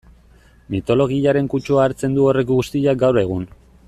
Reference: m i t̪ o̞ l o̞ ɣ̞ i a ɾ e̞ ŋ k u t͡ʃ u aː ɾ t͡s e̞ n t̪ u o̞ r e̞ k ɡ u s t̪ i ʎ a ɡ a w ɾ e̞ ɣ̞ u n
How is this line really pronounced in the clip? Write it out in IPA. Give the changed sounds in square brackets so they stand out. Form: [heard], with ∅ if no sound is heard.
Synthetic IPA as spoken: m i t̪ o̞ l o̞ ɣ̞ i a ɾ e̞ ŋ k u t͡ʃ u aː ɾ t͡s e̞ n [d̪] u o̞ r e̞ k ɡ u s t̪ i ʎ a ɡ a w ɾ e̞ ɣ̞ u n